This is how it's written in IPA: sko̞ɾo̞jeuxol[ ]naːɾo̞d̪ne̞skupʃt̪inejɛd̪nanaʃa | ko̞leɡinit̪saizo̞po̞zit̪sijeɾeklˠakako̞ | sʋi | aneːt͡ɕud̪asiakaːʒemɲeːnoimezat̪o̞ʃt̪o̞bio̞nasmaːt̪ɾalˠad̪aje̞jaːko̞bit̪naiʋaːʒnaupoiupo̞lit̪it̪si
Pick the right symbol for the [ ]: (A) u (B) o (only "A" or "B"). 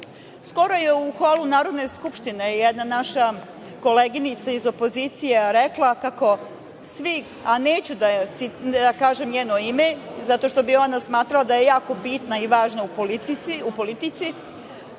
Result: A